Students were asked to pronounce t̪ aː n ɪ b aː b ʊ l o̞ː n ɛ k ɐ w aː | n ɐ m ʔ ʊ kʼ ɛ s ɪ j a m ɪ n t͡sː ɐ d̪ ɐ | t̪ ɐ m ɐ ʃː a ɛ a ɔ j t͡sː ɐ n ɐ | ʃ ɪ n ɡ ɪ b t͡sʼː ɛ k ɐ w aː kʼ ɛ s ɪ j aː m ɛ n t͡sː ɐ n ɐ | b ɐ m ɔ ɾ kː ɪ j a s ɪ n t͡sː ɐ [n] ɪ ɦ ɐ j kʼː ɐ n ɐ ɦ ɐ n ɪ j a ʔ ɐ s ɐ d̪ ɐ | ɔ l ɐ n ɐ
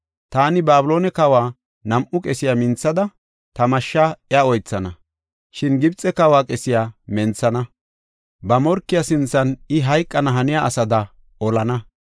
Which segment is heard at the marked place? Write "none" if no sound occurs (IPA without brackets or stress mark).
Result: n